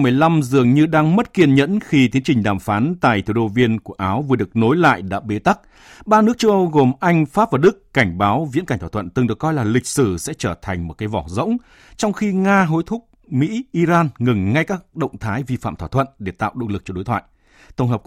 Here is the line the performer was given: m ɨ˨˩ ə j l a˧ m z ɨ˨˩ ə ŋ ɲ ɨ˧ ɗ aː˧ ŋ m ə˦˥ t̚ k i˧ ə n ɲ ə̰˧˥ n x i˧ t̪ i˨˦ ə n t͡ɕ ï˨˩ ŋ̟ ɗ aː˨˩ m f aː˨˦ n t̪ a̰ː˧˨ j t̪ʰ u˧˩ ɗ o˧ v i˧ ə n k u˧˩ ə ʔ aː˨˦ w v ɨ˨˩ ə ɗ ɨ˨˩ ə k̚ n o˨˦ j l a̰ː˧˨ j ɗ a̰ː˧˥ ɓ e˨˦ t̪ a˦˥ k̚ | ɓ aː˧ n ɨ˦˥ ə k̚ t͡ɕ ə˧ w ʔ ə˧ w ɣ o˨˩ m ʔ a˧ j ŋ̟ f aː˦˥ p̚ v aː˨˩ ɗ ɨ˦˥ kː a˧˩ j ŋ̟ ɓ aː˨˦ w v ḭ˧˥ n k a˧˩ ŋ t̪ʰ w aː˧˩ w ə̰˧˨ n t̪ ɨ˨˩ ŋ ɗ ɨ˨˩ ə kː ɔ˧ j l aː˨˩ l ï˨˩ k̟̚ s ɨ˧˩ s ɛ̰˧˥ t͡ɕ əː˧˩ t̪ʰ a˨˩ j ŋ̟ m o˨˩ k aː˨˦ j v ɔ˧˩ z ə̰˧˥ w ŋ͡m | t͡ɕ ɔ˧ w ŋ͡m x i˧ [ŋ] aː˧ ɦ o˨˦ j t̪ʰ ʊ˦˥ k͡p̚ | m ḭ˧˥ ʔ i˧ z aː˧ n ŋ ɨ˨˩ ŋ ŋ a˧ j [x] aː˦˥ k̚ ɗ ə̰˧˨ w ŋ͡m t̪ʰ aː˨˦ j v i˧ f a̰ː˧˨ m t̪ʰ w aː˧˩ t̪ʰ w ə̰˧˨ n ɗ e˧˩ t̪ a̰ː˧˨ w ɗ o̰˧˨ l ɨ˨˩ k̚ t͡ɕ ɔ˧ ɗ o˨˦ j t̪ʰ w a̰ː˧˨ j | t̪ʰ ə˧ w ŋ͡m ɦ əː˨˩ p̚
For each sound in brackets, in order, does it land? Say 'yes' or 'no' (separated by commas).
yes, no